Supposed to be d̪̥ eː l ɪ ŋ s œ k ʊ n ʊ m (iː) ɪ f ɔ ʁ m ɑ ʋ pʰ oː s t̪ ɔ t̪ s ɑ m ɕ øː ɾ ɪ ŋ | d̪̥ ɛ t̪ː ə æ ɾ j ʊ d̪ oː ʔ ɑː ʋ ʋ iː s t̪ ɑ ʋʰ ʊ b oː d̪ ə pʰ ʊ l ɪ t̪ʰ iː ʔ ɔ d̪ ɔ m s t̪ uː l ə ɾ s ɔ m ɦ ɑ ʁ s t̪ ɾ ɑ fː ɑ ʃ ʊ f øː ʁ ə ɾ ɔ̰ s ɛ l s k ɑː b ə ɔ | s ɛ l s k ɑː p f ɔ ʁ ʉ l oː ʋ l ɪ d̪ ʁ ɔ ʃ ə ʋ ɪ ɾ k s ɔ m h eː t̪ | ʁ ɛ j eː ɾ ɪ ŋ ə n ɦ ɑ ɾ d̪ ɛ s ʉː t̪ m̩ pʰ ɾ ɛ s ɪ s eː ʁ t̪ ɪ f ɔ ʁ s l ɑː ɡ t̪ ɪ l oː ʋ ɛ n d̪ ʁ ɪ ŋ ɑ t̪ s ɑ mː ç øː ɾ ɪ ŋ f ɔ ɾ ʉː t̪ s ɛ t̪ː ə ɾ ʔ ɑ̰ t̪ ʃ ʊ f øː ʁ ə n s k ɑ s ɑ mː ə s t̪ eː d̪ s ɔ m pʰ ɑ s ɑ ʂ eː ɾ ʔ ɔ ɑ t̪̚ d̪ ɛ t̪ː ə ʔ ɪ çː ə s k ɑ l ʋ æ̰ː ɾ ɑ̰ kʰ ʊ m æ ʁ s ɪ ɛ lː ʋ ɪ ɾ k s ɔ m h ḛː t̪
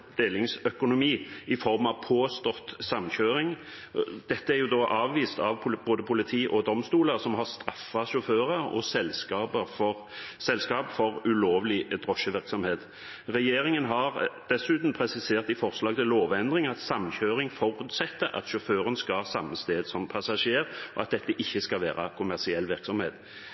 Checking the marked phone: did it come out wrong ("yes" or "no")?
no